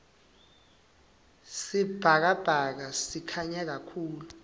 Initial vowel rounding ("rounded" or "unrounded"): unrounded